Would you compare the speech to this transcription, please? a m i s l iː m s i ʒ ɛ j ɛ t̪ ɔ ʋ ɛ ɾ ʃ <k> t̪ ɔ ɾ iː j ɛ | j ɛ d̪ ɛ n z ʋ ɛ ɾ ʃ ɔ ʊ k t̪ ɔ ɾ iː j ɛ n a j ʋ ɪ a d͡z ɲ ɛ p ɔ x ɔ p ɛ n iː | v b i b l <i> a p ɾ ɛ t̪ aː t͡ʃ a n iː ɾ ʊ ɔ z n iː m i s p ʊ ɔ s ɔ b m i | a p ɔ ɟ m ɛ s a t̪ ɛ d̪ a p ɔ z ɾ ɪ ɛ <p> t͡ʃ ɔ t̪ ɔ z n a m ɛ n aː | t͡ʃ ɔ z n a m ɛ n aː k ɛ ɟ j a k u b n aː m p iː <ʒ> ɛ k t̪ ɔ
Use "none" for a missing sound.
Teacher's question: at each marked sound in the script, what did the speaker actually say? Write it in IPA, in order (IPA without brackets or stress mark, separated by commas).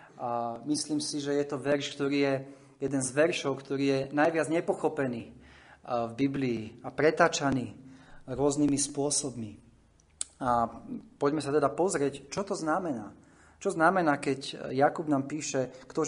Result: k, iː, c, ʃ